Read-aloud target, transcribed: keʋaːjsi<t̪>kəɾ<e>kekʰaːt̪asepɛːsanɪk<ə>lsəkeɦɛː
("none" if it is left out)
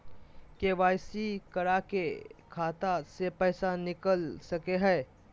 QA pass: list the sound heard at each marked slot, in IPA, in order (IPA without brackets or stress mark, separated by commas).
none, a, ə